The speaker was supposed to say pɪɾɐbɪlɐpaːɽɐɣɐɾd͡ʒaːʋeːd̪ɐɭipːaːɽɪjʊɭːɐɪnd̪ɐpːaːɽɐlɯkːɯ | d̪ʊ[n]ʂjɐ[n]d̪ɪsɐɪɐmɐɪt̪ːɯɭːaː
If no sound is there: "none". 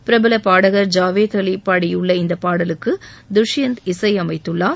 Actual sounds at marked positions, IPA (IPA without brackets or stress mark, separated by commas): none, n